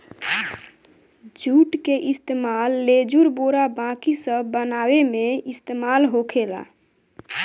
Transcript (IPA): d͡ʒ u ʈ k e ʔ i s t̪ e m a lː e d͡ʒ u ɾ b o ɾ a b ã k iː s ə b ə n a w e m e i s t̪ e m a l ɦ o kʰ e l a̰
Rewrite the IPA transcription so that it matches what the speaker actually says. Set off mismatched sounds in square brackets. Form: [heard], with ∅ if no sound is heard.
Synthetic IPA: d͡ʒ u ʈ k e ʔ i s t̪ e m a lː e d͡ʒ u ɾ b o ɾ a b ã k [i] s ə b ə n a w e m e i s t̪ e m a l ɦ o kʰ e l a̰